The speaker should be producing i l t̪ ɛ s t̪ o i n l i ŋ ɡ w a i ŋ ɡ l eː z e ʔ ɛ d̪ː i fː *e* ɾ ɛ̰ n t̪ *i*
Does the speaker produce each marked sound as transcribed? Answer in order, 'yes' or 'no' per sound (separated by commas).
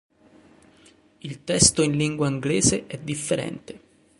yes, no